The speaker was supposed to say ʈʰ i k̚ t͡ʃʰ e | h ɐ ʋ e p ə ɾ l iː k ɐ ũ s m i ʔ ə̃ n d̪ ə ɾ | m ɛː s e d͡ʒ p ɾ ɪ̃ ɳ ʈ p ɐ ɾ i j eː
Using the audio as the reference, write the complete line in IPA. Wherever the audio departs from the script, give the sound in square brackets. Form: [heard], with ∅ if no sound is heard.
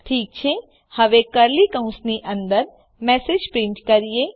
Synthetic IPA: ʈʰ [iː] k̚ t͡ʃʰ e | h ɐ ʋ e [k] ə ɾ l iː k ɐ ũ s [n] i ʔ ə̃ n d̪ ə ɾ | m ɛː s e d͡ʒ p ɾ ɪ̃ ɳ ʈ [k] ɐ ɾ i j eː